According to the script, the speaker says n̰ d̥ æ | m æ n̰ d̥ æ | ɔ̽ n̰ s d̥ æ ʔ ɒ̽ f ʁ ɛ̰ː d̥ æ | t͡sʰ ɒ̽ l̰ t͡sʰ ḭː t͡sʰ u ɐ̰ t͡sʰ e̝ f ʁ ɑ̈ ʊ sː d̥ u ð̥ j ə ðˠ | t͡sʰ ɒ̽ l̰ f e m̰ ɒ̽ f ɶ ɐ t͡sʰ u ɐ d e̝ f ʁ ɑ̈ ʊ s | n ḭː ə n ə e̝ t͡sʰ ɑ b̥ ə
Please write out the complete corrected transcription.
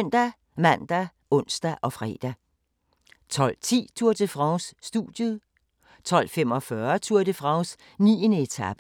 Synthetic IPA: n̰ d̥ æ | m æ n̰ d̥ æ | ɔ̽ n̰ s d̥ æ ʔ ɒ̽ f ʁ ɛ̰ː d̥ æ | t͡sʰ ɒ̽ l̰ t͡sʰ ḭː t͡sʰ u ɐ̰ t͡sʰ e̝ f ʁ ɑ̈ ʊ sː d̥ u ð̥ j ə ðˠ | t͡sʰ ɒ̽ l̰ f e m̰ ɒ̽ f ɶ ɐ t͡sʰ u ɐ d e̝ f ʁ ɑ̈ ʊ s | n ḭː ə n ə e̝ t͡sʰ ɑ b̥ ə